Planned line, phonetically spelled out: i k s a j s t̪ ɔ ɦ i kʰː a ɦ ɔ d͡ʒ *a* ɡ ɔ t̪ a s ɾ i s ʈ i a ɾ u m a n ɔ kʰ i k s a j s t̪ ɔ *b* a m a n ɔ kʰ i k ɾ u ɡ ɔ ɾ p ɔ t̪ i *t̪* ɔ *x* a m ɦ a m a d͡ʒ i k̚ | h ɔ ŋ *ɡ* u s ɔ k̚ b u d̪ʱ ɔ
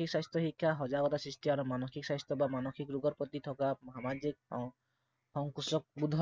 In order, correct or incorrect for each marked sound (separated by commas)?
correct, correct, incorrect, incorrect, incorrect